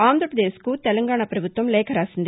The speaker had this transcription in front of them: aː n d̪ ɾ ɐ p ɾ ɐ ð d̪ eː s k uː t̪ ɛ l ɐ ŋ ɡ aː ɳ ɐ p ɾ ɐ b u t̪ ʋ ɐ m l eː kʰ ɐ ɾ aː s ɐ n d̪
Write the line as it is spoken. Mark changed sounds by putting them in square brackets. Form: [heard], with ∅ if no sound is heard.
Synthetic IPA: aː n d̪ ɾ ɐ p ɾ ɐ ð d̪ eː s k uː t̪ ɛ l ɐ ŋ ɡ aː ɳ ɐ p ɾ ɐ b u t̪ ʋ ɐ m l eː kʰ ɐ ɾ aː s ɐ n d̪

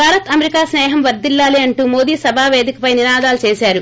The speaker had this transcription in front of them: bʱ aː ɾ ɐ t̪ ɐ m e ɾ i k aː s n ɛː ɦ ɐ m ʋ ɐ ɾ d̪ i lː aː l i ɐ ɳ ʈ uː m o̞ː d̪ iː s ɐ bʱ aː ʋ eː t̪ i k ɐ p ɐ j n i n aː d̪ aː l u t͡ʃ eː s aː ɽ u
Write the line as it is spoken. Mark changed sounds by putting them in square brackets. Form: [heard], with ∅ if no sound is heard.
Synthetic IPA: bʱ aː ɾ ɐ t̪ ɐ m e ɾ i k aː s n ɛː ɦ ɐ m ʋ ɐ ɾ d̪ i lː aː l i ɐ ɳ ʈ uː m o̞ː d̪ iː s ɐ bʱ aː ʋ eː [d̪] i k ɐ p ɐ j n i n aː d̪ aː l u t͡ʃ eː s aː [ɾ] u

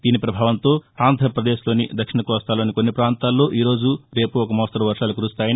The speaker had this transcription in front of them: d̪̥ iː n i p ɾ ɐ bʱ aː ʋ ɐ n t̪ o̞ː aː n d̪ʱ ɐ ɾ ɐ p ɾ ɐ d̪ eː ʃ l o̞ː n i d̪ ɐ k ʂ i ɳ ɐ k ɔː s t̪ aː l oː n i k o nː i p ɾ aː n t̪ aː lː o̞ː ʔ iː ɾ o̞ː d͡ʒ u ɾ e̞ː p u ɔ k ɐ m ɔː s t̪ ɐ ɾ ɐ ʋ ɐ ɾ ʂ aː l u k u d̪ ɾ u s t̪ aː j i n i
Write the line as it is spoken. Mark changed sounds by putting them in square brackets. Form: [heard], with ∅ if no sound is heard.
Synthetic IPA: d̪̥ iː n i p ɾ ɐ bʱ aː ʋ ɐ n t̪ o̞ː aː n d̪ʱ ɐ ɾ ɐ p ɾ ɐ d̪ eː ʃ l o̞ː n i d̪ ɐ k ʂ i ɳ ɐ k ɔː s t̪ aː l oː n i k o nː i p ɾ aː n t̪ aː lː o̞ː ʔ iː ɾ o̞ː d͡ʒ u ɾ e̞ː p u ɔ k ɐ m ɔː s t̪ ɐ ɾ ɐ ʋ ɐ ɾ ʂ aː l u k u [∅] ɾ u s t̪ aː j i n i

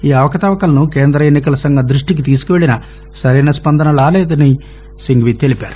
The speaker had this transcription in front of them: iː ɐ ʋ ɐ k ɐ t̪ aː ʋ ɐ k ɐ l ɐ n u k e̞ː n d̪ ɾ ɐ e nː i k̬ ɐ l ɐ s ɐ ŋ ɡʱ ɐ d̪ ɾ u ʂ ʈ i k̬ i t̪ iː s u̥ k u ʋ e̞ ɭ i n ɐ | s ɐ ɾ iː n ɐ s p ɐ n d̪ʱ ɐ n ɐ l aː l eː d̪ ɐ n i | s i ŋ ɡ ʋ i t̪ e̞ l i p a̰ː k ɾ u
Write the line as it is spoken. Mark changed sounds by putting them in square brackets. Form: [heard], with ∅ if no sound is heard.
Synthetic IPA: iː ɐ ʋ ɐ k ɐ t̪ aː ʋ ɐ k ɐ l ɐ n u k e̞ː n d̪ ɾ ɐ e nː i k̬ ɐ l ɐ s ɐ ŋ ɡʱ ɐ d̪ ɾ u ʂ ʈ i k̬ i t̪ iː s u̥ k u ʋ e̞ ɭ i n ɐ | s ɐ ɾ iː n ɐ s p ɐ n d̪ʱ ɐ n ɐ l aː l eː d̪ ɐ n i | s i ŋ ɡ ʋ i t̪ e̞ l i p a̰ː [∅] ɾ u

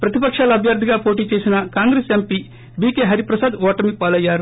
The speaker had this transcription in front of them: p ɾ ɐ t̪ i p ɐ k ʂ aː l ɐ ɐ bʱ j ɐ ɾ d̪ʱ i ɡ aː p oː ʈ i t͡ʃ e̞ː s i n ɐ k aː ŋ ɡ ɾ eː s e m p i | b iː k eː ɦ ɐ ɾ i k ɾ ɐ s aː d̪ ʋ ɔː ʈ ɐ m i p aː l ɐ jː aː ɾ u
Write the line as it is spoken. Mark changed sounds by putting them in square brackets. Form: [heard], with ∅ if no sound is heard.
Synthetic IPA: p ɾ ɐ t̪ i p ɐ k ʂ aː l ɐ ɐ bʱ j ɐ ɾ d̪ʱ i ɡ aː p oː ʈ [iː] t͡ʃ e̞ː s i n ɐ k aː ŋ ɡ ɾ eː s e m p i | b iː k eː ɦ ɐ ɾ i [p] ɾ ɐ s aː d̪ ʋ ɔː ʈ ɐ m i p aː l ɐ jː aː ɾ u

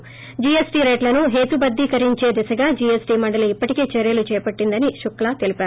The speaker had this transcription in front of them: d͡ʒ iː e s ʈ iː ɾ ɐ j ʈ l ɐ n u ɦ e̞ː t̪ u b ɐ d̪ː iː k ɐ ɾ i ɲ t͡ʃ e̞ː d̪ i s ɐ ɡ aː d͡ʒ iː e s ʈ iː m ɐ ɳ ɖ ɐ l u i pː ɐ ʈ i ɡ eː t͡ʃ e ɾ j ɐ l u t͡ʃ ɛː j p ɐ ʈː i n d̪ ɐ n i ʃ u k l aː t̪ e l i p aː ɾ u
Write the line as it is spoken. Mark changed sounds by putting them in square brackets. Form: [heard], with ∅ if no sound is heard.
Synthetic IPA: d͡ʒ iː e s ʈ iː ɾ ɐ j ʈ l ɐ n u ɦ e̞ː t̪ u b ɐ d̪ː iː k ɐ ɾ i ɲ t͡ʃ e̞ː d̪ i s ɐ ɡ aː d͡ʒ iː e s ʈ iː m ɐ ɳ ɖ ɐ l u i pː ɐ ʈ i [k] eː t͡ʃ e ɾ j ɐ l u t͡ʃ ɛː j p ɐ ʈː i n d̪ ɐ n i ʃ u k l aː t̪ e l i p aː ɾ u

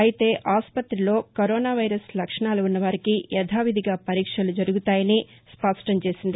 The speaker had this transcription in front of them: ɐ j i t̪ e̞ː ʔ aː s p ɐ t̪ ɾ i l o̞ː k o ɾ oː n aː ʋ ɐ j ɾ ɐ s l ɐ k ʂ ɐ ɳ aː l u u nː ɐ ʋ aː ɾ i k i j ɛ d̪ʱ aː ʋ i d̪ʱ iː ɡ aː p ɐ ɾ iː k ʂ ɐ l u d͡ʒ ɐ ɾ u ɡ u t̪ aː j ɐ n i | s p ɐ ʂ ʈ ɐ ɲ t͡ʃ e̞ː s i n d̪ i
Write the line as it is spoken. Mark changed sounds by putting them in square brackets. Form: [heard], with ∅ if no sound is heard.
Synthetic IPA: ɐ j i t̪ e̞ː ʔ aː s p ɐ t̪ ɾ i l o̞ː k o ɾ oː n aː ʋ ɐ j ɾ ɐ s l ɐ k ʂ ɐ ɳ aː l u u nː ɐ ʋ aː ɾ i k i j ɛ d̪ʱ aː ʋ i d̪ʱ [i] ɡ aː p ɐ ɾ iː k ʂ ɐ l u d͡ʒ ɐ ɾ u ɡ u t̪ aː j ɐ n i | s p ɐ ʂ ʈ ɐ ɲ t͡ʃ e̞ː s i n d̪ i

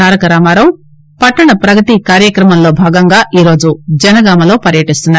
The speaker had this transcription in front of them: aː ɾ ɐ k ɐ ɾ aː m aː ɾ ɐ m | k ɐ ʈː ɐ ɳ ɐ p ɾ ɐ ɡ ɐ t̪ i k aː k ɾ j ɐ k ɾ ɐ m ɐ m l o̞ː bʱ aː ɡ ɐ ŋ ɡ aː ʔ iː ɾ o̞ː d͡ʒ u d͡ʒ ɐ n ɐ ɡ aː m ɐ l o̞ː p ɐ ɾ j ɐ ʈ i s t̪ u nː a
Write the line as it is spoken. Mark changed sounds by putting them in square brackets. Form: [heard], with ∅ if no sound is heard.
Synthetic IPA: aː ɾ ɐ k ɐ ɾ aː m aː ɾ ɐ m | [p] ɐ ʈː ɐ ɳ ɐ p ɾ ɐ ɡ ɐ t̪ i k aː [∅] ɾ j ɐ k ɾ ɐ m ɐ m l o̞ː bʱ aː ɡ ɐ ŋ ɡ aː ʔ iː ɾ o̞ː d͡ʒ u d͡ʒ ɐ n ɐ ɡ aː m ɐ l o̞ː p ɐ ɾ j ɐ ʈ i s t̪ u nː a

